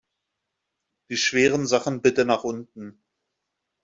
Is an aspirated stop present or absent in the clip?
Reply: absent